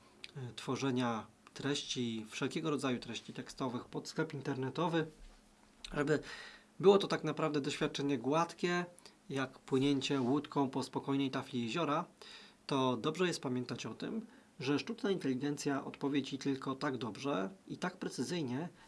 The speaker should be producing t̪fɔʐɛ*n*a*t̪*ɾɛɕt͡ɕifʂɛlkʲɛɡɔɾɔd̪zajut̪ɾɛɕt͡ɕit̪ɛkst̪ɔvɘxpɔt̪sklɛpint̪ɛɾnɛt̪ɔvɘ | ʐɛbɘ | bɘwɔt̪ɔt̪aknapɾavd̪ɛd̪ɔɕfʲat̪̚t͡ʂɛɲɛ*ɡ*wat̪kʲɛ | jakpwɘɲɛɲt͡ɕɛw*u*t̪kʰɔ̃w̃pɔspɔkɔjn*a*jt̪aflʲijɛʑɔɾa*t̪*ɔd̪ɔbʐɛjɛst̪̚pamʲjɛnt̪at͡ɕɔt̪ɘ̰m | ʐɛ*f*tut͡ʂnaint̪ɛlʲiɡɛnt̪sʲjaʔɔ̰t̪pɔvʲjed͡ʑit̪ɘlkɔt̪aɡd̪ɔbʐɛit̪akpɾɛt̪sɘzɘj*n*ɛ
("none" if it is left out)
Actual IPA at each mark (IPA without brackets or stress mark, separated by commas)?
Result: ɲ, t̪, ɡ, u, ɛ, t̪, ʂ, ɲ